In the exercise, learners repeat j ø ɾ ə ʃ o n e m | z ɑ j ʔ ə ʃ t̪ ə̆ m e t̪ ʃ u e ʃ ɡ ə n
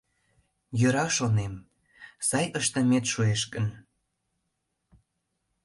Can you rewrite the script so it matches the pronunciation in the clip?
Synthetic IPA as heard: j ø ɾ ɑ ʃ o n e m | s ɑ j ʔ ə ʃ t̪ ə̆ m e t̪ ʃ u e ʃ k ə n